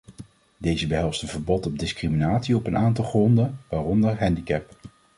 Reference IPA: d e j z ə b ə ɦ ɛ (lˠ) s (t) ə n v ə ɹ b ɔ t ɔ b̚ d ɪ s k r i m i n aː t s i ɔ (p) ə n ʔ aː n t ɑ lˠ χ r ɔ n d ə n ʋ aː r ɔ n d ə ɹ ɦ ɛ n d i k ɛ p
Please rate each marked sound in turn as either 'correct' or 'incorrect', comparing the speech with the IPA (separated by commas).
correct, correct, correct